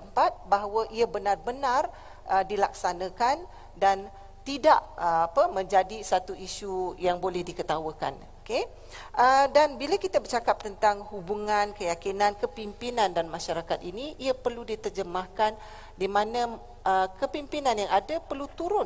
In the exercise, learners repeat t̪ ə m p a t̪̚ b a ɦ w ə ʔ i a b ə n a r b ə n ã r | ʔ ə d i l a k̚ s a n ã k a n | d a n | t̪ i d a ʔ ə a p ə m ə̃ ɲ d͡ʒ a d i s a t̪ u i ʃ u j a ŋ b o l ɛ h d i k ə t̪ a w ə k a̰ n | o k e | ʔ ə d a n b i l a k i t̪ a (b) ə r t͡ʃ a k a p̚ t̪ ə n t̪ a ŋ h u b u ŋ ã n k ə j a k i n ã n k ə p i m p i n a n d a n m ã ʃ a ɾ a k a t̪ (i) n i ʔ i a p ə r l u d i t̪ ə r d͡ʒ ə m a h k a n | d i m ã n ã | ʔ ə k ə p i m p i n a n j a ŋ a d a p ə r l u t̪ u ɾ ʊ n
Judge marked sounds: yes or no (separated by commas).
yes, yes